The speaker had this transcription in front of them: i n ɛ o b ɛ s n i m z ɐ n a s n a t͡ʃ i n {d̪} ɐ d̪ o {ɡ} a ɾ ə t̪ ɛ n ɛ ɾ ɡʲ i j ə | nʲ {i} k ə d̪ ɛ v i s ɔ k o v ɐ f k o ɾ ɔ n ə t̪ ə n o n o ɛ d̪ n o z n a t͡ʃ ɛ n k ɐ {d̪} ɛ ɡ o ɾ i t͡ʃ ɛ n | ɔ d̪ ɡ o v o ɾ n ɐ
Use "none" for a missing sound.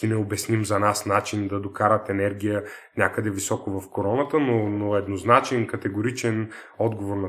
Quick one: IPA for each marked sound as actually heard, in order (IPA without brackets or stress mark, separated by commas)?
d̪, k, a, t̪